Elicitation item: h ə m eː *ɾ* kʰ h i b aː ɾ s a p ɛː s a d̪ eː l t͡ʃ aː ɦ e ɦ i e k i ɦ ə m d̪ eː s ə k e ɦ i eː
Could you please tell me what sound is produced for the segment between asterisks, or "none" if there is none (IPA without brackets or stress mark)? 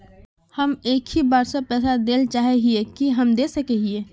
none